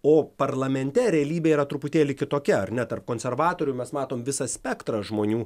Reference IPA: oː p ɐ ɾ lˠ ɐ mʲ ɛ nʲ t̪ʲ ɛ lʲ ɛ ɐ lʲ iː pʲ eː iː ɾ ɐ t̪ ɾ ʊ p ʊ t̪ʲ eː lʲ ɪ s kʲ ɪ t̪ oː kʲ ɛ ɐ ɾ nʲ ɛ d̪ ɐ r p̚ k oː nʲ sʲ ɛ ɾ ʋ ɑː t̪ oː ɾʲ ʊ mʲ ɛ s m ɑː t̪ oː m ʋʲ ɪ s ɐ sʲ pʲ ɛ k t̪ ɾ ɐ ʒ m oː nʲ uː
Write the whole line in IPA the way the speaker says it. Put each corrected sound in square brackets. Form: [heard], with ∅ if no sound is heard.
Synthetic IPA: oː p ɐ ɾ lˠ ɐ mʲ ɛ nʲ t̪ʲ ɛ [ɾʲ] ɛ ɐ lʲ iː [bʲ] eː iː ɾ ɐ t̪ ɾ ʊ p ʊ t̪ʲ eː lʲ ɪ [∅] kʲ ɪ t̪ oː kʲ ɛ ɐ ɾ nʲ ɛ [t̪] ɐ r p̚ k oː nʲ sʲ ɛ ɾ ʋ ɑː t̪ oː ɾʲ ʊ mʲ ɛ s m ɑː t̪ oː m ʋʲ ɪ s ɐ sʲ pʲ ɛ k t̪ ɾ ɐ ʒ m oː nʲ uː